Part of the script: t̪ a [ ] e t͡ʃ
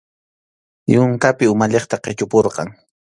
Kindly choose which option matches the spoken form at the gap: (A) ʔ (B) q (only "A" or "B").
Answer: B